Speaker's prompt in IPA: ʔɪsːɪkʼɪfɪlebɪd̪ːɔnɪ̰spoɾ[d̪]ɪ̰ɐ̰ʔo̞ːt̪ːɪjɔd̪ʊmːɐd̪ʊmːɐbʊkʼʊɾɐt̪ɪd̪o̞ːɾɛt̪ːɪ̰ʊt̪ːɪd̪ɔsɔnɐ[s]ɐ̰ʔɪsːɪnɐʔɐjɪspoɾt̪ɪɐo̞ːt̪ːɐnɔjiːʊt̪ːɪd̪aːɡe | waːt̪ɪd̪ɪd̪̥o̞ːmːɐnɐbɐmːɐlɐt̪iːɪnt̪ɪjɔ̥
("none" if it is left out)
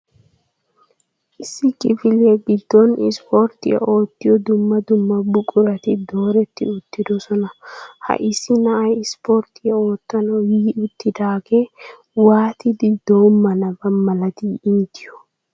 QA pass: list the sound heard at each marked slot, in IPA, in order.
t̪, h

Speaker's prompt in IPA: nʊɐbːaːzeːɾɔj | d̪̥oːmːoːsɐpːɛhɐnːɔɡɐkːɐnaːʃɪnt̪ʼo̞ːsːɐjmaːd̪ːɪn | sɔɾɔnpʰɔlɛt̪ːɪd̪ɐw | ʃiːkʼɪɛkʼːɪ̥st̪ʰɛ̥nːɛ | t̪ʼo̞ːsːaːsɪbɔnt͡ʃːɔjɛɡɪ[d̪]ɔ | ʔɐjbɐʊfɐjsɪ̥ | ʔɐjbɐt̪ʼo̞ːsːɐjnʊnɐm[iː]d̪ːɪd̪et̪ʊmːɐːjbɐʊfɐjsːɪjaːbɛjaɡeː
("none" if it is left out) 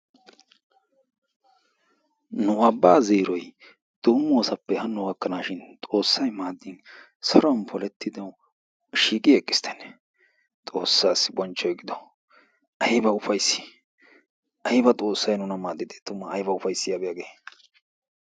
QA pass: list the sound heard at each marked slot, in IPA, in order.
d̪, aː

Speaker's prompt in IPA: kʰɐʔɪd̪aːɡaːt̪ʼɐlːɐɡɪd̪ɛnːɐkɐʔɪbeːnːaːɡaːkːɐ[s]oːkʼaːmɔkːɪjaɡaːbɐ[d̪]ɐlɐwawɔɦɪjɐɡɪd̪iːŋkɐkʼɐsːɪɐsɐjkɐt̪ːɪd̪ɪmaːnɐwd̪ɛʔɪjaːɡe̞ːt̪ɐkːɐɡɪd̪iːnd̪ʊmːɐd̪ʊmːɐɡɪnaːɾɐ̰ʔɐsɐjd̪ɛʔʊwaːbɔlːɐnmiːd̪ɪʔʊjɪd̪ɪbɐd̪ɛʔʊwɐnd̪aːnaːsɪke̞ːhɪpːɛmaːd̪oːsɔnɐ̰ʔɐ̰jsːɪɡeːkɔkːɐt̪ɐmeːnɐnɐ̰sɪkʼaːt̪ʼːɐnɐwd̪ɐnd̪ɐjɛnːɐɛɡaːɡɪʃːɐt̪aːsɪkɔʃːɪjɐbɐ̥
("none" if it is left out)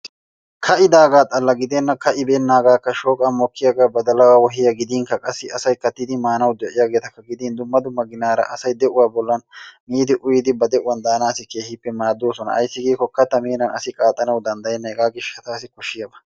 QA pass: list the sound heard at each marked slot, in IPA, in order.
ʃ, d̪

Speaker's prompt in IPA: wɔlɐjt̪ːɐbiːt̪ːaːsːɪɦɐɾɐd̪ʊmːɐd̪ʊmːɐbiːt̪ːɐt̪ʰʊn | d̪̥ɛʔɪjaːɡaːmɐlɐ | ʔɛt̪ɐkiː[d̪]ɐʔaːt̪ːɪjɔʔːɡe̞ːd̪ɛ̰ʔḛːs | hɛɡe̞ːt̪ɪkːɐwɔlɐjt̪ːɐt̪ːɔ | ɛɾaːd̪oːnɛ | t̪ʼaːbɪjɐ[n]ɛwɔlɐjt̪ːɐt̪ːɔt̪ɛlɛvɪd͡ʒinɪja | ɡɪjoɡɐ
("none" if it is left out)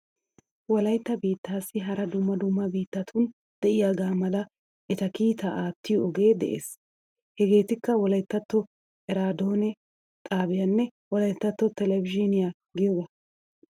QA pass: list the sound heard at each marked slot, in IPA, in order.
t̪, nː

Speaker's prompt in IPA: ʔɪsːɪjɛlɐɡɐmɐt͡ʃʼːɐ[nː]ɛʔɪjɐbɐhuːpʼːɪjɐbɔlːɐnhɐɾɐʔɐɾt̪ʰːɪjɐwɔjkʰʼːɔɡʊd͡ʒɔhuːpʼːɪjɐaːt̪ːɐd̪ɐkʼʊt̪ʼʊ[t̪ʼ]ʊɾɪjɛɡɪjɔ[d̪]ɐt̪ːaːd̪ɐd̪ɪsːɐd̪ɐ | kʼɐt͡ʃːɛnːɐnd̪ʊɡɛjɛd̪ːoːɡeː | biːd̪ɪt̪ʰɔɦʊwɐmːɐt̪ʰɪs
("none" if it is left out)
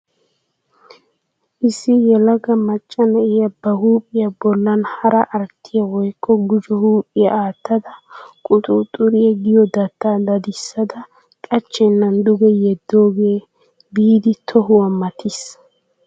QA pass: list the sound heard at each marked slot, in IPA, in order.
n, t̪ʼ, d̪

